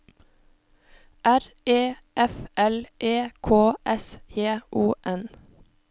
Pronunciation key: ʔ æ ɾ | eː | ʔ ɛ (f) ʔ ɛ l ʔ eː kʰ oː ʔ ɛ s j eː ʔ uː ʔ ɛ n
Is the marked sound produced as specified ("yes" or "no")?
yes